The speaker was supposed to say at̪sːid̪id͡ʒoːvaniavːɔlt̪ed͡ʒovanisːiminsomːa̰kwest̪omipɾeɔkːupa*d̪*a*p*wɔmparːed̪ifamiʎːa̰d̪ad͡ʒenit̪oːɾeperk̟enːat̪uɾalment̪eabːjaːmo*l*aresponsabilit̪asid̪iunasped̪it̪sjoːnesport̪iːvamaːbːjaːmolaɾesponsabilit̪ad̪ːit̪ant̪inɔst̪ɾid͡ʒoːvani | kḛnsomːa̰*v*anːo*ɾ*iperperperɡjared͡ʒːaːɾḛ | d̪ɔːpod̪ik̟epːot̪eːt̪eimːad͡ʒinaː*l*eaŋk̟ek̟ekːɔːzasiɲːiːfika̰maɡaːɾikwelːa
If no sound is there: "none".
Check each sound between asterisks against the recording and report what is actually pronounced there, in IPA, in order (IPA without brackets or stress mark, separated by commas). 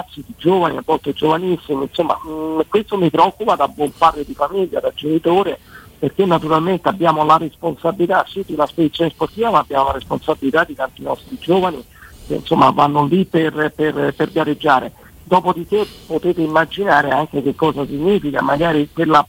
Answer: d̪, b, l, v, l, ɾ